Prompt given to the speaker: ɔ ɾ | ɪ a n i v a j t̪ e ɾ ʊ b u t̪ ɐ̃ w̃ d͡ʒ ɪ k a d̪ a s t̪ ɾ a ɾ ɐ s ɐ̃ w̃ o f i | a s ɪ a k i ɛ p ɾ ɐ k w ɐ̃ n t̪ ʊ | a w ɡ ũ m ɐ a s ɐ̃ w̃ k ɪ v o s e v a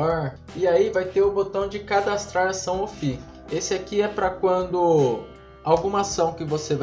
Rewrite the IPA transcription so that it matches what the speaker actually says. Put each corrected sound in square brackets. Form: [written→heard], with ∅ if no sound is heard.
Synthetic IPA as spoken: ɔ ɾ | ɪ a [n→∅] i v a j t̪ e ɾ ʊ b [u→o] t̪ ɐ̃ w̃ d͡ʒ ɪ k a d̪ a s t̪ ɾ a ɾ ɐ s ɐ̃ w̃ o f i | [a→e] s ɪ a k i ɛ p ɾ ɐ k w ɐ̃ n [t̪→d̪] ʊ | a w ɡ ũ m ɐ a s ɐ̃ w̃ k ɪ v o s e v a

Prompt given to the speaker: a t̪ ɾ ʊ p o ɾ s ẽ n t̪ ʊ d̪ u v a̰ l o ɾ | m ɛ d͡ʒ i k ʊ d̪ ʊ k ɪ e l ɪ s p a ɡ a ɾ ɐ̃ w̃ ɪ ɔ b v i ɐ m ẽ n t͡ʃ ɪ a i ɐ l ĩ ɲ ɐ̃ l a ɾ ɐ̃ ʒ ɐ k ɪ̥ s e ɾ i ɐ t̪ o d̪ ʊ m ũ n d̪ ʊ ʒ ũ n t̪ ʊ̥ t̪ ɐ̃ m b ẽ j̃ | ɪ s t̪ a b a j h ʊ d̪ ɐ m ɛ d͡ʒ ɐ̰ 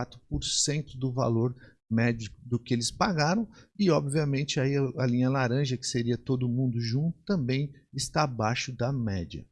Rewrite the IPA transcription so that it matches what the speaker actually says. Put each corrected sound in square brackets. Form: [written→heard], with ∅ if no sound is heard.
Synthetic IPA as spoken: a t̪ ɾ ʊ p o ɾ s ẽ n t̪ ʊ d̪ [u→ʊ] v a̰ l o ɾ | m ɛ d͡ʒ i k ʊ d̪ ʊ k ɪ e l ɪ s p a ɡ a ɾ ɐ̃ w̃ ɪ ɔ b v i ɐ m ẽ n t͡ʃ ɪ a i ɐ l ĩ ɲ [ɐ̃→ɐ] l a ɾ ɐ̃ ʒ ɐ k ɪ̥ s e ɾ i ɐ t̪ o d̪ ʊ m ũ n d̪ ʊ ʒ ũ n t̪ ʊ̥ t̪ ɐ̃ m b ẽ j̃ | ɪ s t̪ a b a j [h→ʃ] ʊ d̪ ɐ m ɛ d͡ʒ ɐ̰

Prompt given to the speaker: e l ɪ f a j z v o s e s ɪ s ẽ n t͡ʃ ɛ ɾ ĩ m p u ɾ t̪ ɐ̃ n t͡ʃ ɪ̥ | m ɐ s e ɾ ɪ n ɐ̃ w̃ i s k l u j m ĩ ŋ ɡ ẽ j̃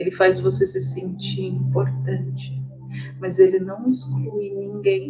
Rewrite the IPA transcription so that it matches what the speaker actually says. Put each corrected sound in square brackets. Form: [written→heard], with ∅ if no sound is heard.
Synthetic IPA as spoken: e l ɪ f a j z v o s e s ɪ s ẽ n t͡ʃ [ɛ→i] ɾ ĩ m p [u→o] ɾ t̪ ɐ̃ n t͡ʃ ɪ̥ | m ɐ [s→z] e [ɾ→l] ɪ n ɐ̃ w̃ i s k l u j [m→n] ĩ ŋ ɡ ẽ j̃

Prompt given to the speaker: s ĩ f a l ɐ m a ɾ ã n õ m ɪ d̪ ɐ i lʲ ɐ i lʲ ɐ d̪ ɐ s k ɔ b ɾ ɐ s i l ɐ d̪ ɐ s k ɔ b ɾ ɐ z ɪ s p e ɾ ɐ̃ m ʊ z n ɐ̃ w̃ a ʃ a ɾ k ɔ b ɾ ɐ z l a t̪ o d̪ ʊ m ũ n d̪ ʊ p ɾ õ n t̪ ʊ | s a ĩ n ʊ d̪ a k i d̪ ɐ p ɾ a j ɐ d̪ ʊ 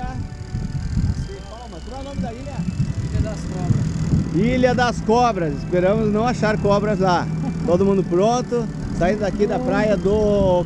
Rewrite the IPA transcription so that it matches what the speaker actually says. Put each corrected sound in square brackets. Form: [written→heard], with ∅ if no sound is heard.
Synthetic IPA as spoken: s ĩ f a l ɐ m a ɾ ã n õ m ɪ d̪ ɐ i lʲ ɐ i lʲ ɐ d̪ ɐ s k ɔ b ɾ ɐ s i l ɐ d̪ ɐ s k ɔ b ɾ ɐ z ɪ s p e ɾ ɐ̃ m ʊ z n ɐ̃ w̃ a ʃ a ɾ k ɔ b ɾ ɐ z l a t̪ o d̪ ʊ m ũ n d̪ ʊ p ɾ õ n t̪ ʊ | s a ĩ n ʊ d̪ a k i d̪ ɐ p ɾ a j ɐ d̪ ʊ

